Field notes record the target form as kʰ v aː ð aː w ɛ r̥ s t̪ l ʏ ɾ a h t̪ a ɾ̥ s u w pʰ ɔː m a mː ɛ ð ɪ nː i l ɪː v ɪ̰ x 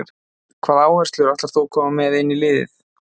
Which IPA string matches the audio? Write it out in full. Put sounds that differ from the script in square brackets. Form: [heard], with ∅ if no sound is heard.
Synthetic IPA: kʰ v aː ð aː w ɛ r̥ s t̪ l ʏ ɾ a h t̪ a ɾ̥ [θ] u w [kʰ] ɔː m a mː ɛ ð ɪ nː i l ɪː [ð] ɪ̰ [θ]